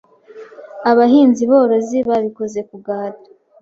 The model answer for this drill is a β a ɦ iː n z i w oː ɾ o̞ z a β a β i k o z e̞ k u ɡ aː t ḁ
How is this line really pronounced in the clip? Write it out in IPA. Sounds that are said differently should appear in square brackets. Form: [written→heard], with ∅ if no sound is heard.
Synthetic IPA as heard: a β a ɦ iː n z i [w→β] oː ɾ o̞ z [a→i] β a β i k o z e̞ k u ɡ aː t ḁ